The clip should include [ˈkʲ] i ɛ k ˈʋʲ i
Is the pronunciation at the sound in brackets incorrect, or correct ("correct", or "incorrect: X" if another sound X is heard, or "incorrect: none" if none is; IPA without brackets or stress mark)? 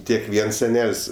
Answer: incorrect: tʲ